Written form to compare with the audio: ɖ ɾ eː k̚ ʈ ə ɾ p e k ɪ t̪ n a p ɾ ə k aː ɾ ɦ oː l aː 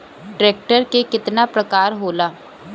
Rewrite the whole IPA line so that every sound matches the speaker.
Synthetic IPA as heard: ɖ ɾ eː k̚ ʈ ə ɾ k e k ɪ t̪ n a p ɾ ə k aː ɾ ɦ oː l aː